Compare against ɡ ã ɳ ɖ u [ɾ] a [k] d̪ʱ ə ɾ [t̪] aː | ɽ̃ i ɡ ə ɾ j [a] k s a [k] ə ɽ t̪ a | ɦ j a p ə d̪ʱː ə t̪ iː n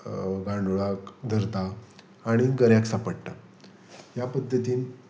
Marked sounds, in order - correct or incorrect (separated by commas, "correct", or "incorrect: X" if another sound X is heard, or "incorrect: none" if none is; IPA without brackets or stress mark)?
incorrect: ɭ, correct, correct, correct, incorrect: p